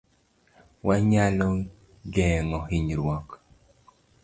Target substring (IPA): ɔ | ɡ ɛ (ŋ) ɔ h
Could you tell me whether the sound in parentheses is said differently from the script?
no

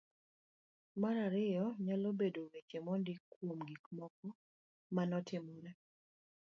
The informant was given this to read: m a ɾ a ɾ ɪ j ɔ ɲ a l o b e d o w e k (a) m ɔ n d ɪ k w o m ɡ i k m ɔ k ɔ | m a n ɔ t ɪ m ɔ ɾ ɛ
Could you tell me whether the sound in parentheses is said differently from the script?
yes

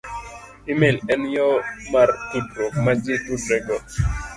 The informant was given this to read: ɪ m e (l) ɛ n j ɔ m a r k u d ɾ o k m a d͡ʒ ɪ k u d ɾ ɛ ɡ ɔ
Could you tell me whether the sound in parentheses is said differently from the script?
no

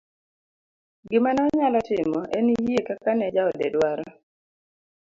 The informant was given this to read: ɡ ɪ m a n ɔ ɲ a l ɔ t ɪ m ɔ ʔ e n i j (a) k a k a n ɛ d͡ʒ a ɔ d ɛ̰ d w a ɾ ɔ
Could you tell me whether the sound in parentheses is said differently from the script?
yes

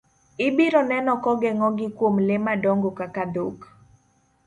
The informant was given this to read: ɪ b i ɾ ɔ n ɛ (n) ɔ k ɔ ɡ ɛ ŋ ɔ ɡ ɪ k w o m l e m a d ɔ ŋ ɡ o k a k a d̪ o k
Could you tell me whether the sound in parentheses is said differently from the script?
no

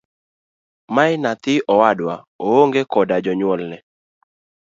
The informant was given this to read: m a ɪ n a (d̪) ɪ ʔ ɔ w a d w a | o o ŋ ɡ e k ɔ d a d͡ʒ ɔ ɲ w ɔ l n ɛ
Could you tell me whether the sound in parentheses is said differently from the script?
yes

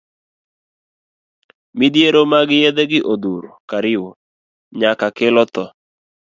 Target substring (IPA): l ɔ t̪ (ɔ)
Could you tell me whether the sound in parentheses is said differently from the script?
no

